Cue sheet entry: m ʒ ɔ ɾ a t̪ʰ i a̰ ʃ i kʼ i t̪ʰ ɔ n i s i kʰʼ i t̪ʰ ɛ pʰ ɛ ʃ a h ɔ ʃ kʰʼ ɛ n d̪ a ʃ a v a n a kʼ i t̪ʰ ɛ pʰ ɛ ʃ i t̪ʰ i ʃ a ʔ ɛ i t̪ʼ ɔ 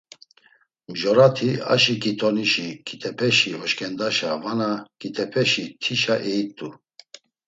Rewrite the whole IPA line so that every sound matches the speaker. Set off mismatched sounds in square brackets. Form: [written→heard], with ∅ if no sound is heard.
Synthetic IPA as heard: m ʒ ɔ ɾ a t̪ʰ i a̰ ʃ i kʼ i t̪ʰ ɔ n i [s→ʃ] i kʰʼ i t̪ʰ ɛ pʰ ɛ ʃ [a→i] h ɔ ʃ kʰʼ ɛ n d̪ a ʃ a v a n a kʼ i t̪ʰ ɛ pʰ ɛ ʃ i t̪ʰ i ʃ a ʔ ɛ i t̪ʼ [ɔ→u]